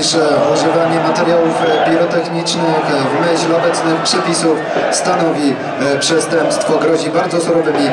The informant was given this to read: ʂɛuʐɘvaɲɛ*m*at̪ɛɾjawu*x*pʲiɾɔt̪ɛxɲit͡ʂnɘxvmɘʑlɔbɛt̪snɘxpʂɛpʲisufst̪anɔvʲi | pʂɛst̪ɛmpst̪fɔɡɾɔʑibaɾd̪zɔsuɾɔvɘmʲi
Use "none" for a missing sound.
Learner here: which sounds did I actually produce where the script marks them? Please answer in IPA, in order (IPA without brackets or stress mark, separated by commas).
m, f